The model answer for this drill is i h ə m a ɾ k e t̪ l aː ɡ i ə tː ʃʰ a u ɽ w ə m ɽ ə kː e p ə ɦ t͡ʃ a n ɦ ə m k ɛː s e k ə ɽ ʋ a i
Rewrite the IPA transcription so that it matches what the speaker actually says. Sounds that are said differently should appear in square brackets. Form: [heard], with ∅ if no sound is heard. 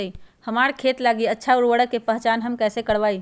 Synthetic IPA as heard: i h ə m a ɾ [kʰ] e t̪ l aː ɡ i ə tː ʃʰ a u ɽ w ə [∅] ɽ ə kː e p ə ɦ t͡ʃ a n ɦ ə m k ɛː s e k ə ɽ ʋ a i